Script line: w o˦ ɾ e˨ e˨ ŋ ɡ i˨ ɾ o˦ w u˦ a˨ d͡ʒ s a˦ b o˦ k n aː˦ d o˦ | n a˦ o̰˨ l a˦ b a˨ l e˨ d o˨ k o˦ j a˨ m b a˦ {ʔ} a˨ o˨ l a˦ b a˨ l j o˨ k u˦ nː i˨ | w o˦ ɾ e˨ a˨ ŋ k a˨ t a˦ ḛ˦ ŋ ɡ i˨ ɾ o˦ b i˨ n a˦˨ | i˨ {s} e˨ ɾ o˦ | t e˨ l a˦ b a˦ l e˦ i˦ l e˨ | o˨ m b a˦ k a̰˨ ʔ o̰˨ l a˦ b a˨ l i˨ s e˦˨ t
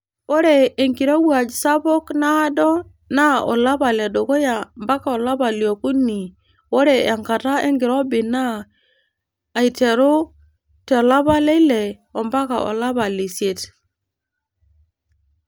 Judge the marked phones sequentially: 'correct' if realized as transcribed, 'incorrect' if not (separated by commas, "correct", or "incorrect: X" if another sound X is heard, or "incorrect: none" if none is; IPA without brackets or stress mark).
incorrect: k, incorrect: t